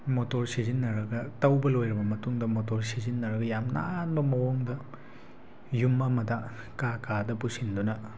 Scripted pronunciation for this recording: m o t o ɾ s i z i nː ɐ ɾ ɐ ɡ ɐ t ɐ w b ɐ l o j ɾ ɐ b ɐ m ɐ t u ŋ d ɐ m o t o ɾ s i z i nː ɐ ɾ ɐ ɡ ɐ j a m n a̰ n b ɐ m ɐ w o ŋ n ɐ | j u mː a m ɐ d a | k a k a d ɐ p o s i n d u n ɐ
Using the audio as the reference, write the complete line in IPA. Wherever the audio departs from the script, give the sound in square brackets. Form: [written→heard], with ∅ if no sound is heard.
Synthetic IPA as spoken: m o t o ɾ s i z i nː ɐ ɾ ɐ ɡ ɐ t ɐ w b ɐ l o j ɾ ɐ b ɐ m ɐ t u ŋ d ɐ m o t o ɾ s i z i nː ɐ ɾ ɐ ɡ ɐ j a m n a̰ n b ɐ m ɐ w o ŋ [n→d] ɐ | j u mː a m ɐ d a | k a k a d ɐ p [o→u] s i n d u n ɐ